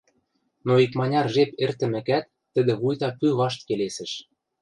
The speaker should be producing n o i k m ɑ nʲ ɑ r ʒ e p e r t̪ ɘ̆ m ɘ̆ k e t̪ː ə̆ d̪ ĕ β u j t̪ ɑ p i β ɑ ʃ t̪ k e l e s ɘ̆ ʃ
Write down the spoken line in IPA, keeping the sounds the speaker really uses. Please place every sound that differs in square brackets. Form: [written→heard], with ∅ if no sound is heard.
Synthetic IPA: n o i k m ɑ nʲ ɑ r ʒ e p e r t̪ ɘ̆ m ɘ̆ k [e→æ] t̪ː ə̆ d̪ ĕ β u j t̪ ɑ p [i→y] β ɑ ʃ t̪ k e l e s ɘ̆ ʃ